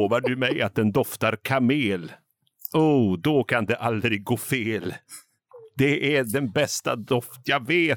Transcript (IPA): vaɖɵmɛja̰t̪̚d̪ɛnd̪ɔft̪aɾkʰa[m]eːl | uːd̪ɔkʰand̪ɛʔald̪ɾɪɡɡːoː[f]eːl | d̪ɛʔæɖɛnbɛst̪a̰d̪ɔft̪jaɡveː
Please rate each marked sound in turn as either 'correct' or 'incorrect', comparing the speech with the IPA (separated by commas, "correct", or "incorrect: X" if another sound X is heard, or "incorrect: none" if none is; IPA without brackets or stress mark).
correct, correct